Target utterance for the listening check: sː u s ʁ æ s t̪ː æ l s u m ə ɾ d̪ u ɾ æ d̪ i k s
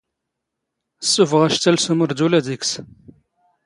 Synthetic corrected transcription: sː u f ʁ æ ʃ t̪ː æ l s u m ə ɾ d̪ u l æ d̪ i k s